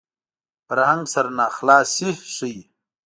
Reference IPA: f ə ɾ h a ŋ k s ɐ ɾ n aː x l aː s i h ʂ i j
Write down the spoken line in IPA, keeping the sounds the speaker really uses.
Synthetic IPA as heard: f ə ɾ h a ŋ ɡ s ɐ ɾ n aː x l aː s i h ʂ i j